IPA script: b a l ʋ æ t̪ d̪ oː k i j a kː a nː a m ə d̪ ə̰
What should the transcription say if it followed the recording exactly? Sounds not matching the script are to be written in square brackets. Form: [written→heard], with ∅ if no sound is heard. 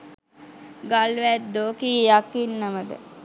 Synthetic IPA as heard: [b→ɡ] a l ʋ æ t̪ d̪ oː k i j a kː [a→i] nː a m ə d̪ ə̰